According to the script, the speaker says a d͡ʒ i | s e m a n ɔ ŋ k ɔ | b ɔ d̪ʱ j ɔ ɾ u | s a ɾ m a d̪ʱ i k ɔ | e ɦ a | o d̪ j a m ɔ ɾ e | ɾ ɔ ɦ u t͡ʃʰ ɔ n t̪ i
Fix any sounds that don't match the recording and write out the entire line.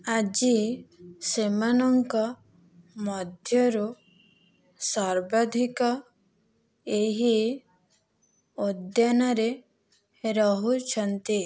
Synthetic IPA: a d͡ʒ i | s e m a n ɔ ŋ k ɔ | m ɔ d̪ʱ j ɔ ɾ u | s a ɾ b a d̪ʱ i k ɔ | e ɦ i | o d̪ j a n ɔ ɾ e | ɾ ɔ ɦ u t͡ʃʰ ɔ n t̪ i